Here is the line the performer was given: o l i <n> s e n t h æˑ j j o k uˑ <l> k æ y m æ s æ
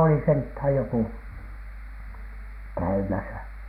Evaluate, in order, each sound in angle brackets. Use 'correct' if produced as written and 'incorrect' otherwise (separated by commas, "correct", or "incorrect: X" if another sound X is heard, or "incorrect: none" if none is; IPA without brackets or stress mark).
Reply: incorrect: none, incorrect: none